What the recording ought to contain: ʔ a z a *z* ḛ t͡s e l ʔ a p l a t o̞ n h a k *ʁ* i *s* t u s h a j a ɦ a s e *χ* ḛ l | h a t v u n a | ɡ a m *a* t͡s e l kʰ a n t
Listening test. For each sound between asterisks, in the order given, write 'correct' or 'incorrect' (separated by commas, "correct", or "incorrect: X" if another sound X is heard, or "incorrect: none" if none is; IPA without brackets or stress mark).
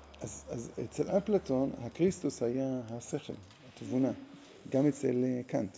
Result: correct, correct, correct, correct, incorrect: e